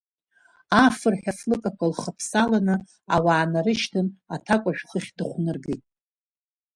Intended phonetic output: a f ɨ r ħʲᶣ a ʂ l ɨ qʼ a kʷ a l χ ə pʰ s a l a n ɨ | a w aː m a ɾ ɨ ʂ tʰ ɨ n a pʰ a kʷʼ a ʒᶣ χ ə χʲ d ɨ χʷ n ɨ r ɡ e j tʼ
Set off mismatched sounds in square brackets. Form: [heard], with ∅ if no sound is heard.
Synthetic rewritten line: a f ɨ r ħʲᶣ a [f] l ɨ [kʼ] a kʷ a l χ ə pʰ s a l a n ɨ | a w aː [n] a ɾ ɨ [ʃ] tʰ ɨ n a [tʰ] a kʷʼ a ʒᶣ χ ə χʲ d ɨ χʷ n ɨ r ɡ e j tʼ